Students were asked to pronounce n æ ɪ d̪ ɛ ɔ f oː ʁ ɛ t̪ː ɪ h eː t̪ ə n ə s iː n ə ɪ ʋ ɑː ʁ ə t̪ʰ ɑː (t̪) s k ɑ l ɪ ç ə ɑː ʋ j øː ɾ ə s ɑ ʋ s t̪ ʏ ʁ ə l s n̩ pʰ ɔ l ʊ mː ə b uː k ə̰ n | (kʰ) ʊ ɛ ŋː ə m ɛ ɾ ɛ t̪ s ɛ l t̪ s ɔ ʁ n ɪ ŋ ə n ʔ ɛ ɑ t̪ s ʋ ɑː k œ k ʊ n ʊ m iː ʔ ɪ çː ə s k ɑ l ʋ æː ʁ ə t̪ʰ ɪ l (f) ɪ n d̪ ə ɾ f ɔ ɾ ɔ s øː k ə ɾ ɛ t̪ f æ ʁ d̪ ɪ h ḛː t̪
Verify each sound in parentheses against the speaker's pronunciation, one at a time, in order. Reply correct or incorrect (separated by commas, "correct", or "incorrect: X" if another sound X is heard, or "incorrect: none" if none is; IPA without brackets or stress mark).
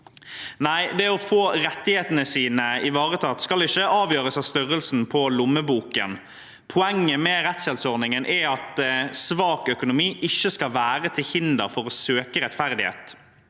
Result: correct, incorrect: pʰ, incorrect: h